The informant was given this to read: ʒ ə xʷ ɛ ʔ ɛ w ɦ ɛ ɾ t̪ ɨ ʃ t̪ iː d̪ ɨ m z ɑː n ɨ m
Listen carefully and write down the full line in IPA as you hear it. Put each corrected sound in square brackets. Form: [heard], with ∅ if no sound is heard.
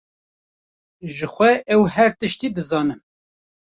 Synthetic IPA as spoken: ʒ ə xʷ ɛ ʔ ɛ w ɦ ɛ ɾ t̪ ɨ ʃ t̪ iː d̪ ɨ [∅] z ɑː n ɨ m